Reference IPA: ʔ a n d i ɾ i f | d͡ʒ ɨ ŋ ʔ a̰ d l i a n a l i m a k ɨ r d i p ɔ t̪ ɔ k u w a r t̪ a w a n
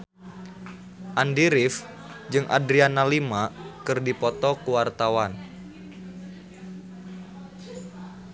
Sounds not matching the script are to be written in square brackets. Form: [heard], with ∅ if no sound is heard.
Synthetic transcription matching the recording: ʔ a n d i ɾ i f | d͡ʒ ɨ ŋ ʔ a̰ d [ɾ] i a n a l i m a k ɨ r d i p ɔ t̪ ɔ k u w a r t̪ a w a n